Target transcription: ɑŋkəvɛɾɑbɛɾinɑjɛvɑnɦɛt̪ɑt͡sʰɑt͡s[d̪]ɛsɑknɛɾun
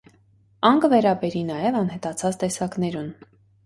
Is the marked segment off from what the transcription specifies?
yes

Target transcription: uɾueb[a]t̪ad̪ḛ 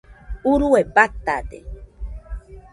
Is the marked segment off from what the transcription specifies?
no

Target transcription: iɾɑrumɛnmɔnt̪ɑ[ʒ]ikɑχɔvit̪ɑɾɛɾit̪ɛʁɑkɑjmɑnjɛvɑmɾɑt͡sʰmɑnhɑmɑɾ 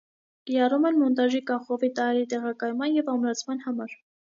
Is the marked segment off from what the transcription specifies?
no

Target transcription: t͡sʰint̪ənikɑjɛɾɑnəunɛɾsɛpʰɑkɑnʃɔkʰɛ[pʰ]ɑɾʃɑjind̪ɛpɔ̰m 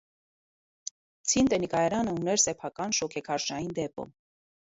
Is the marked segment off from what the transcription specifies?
yes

